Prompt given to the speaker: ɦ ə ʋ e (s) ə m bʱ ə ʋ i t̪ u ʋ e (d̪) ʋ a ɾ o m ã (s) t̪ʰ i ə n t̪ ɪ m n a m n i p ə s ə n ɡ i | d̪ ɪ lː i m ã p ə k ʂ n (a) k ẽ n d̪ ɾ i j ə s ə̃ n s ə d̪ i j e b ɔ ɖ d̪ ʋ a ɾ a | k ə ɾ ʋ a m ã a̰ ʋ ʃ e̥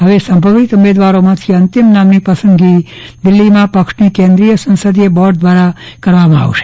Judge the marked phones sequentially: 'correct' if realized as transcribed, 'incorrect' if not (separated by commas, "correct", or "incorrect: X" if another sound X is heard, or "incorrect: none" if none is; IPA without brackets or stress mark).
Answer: correct, correct, incorrect: none, incorrect: i